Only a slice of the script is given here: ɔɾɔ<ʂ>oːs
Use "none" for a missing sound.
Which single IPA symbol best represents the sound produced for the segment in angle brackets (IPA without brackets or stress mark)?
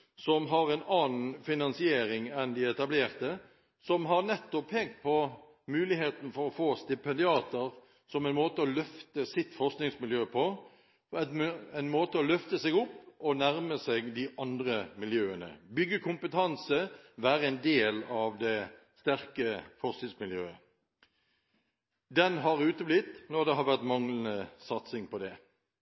f